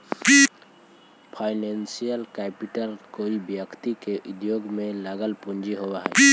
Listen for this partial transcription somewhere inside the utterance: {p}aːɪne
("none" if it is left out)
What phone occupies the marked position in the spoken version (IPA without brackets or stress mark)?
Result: pʰ